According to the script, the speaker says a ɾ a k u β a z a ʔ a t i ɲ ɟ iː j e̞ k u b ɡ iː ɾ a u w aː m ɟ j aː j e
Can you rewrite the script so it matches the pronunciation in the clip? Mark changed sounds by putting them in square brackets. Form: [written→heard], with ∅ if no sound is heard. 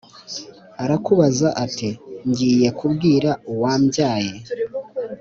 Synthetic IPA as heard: a ɾ a k u β a z a ʔ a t i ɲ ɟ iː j e̞ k u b ɡ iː ɾ a u w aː m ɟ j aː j e